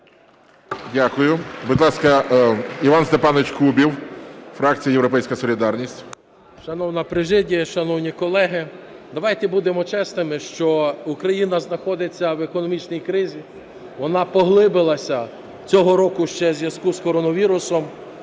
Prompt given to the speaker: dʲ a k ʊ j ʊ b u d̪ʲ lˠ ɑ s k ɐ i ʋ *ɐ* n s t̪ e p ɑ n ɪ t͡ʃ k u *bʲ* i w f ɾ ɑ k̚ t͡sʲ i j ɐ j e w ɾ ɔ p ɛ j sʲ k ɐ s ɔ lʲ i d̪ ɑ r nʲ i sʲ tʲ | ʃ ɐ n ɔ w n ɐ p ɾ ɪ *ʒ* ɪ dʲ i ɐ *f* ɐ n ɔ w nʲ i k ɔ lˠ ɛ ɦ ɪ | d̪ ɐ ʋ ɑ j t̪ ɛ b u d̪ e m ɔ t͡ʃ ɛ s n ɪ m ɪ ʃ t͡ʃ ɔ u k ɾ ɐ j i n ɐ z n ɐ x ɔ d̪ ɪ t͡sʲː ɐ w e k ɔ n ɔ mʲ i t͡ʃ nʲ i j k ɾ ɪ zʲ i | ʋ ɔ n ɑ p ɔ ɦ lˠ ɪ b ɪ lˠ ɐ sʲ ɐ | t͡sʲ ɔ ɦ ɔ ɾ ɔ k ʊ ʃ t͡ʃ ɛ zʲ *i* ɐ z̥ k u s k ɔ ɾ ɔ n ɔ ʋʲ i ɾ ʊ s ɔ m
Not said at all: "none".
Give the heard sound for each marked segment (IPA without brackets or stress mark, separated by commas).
ɑ, bʲ, ʒ, ʃ, j